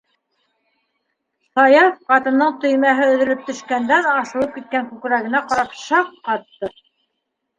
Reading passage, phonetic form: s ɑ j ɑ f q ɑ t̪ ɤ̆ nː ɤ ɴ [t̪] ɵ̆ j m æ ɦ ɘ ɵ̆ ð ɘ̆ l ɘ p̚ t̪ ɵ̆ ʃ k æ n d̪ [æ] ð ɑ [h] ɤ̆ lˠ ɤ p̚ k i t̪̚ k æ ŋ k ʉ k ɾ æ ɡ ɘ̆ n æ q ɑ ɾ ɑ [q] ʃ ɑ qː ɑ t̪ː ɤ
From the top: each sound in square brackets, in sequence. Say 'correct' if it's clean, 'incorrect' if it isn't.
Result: correct, correct, incorrect, incorrect

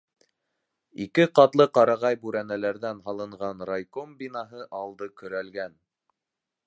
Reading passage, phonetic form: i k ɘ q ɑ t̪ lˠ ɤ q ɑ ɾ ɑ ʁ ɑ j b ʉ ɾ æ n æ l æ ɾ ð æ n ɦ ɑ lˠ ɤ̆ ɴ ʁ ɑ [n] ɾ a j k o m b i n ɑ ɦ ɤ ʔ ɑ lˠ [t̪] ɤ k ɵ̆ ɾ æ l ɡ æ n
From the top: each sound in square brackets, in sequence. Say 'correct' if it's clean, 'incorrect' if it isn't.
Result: correct, incorrect

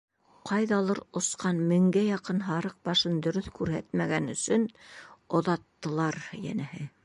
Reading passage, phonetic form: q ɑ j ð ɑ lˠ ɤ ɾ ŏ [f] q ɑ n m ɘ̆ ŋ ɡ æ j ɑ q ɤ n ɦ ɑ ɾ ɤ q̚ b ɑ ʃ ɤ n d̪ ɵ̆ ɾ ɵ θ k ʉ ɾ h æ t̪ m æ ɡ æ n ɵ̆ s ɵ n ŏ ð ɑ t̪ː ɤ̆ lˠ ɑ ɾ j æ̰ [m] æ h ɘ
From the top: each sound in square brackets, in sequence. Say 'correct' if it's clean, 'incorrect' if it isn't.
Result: incorrect, incorrect

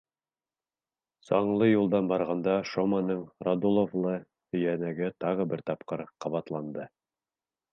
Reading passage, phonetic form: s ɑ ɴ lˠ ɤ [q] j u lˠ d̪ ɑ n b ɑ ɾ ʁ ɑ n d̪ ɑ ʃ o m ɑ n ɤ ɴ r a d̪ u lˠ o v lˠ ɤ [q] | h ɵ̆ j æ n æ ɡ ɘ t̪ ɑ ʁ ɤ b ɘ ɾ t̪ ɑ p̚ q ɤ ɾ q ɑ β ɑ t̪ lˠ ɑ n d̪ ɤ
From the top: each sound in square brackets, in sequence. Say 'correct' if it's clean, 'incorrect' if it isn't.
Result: incorrect, incorrect

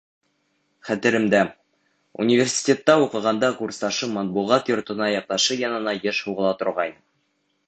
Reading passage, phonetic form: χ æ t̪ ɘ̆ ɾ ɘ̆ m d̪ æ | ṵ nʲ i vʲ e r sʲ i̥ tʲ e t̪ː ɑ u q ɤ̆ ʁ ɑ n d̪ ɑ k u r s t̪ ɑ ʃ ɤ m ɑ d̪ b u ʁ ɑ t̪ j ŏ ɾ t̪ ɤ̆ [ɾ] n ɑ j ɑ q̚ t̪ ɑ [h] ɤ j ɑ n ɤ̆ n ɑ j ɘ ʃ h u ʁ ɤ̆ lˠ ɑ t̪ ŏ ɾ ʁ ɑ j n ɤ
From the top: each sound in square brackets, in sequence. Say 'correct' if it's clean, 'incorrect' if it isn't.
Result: incorrect, incorrect

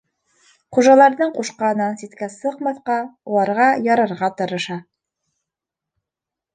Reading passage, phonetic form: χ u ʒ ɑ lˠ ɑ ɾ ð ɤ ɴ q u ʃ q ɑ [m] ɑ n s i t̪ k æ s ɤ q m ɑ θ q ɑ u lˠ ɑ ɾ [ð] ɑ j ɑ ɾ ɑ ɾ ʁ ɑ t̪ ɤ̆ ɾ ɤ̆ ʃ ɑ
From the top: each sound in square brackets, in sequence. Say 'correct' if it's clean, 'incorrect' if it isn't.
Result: incorrect, incorrect

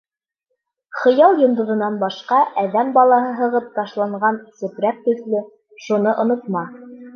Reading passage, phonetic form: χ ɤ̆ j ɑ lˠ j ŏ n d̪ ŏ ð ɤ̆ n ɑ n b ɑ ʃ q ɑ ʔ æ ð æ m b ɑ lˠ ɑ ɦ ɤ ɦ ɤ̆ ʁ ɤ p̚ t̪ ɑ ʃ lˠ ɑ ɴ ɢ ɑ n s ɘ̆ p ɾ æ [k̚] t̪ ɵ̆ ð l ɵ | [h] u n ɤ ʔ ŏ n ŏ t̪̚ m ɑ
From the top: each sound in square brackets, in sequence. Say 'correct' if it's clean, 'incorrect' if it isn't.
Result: correct, incorrect

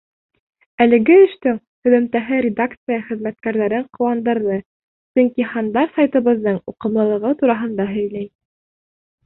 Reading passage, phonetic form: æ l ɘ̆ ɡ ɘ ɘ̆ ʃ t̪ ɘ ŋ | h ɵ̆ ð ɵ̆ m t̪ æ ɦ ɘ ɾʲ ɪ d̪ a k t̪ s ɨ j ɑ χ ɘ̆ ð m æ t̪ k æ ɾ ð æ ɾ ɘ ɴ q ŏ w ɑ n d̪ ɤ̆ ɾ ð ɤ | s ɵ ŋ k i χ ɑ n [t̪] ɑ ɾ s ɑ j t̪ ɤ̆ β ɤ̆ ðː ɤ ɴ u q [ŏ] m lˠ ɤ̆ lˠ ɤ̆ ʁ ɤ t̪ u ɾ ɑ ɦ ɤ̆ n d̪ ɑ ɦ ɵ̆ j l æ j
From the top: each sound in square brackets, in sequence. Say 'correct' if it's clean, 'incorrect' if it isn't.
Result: incorrect, incorrect

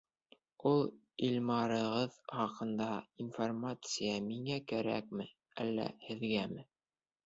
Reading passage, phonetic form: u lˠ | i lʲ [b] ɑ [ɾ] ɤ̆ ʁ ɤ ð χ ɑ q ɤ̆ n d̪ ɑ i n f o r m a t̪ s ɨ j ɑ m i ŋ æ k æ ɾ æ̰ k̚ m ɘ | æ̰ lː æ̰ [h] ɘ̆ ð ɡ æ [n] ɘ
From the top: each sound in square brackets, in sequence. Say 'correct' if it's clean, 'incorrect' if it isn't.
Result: incorrect, correct, correct, incorrect

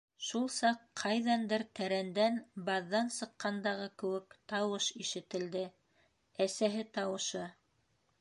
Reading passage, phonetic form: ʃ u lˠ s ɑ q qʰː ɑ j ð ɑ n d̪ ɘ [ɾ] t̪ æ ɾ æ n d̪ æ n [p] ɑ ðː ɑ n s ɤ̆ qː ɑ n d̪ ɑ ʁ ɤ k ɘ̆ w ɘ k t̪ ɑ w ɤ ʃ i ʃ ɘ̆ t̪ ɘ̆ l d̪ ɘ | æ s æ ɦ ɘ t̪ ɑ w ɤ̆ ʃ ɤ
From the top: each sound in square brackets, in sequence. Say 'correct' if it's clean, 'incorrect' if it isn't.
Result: correct, incorrect

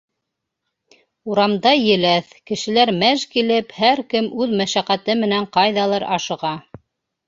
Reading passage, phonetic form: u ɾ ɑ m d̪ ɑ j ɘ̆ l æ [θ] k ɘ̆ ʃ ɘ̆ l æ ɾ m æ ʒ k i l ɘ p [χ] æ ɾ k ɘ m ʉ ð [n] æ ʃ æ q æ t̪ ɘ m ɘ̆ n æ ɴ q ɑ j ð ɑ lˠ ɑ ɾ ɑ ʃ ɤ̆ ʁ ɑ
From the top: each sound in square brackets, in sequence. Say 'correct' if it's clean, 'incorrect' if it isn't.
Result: correct, incorrect, incorrect

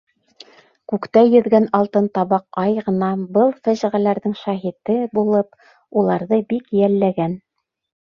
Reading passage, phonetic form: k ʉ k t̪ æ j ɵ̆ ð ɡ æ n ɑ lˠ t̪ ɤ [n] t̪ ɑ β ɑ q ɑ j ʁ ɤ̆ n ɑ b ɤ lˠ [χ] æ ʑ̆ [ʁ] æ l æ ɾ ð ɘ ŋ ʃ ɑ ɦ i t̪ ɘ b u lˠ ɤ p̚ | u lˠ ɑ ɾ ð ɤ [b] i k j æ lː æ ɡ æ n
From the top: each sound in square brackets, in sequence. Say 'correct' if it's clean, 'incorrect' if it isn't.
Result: correct, incorrect, correct, correct

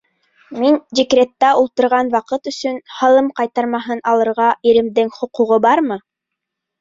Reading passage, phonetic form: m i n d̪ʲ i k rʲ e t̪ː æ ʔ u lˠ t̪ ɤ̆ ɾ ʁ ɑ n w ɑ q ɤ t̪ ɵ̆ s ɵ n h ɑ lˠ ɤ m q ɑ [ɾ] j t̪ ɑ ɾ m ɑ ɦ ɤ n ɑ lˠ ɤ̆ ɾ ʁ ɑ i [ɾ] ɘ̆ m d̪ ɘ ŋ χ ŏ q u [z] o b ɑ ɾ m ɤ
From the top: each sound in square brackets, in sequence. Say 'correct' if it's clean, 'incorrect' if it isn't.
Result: incorrect, correct, incorrect

